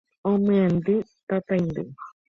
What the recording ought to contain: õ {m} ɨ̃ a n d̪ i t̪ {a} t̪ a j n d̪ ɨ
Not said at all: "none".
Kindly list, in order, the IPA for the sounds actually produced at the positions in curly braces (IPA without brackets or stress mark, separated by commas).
m, a